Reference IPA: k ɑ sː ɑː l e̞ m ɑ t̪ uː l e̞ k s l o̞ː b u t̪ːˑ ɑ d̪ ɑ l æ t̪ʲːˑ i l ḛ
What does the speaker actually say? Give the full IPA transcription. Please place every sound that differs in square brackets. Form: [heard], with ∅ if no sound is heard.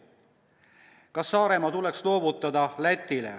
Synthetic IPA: k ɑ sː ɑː [ɾ] e̞ m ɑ t̪ [u] l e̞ k s l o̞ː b u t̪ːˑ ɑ d̪ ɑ l æ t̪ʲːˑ i l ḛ